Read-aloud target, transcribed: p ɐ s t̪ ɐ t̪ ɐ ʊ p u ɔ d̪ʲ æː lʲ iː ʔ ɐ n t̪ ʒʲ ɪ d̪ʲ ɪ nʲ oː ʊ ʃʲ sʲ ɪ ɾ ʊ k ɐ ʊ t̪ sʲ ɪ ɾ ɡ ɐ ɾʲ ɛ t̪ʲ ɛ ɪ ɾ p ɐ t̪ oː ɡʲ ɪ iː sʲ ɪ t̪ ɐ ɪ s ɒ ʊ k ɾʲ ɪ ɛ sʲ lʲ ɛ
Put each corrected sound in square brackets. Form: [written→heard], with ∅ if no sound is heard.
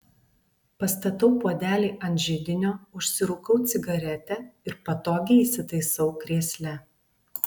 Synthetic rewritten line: p ɐ s t̪ ɐ t̪ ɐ ʊ p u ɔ d̪ʲ æː lʲ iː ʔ ɐ n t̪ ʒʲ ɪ d̪ʲ ɪ nʲ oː ʊ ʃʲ sʲ ɪ ɾ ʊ k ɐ ʊ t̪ sʲ ɪ [ɾ→∅] ɡ ɐ ɾʲ ɛ t̪ʲ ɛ ɪ ɾ p ɐ t̪ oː ɡʲ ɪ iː sʲ ɪ t̪ ɐ ɪ s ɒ ʊ k ɾʲ [ɪ→i] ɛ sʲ lʲ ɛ